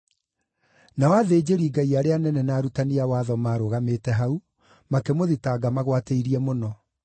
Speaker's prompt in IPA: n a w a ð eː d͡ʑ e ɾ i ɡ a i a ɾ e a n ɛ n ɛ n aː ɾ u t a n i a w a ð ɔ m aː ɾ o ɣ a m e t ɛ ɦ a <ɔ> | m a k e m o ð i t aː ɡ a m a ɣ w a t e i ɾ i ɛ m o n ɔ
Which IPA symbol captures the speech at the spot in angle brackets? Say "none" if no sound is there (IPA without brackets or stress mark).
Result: u